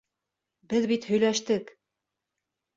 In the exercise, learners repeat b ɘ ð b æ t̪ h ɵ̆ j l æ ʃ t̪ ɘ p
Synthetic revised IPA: b ɘ ð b i t̪ h ɵ̆ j l æ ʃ t̪ ɘ k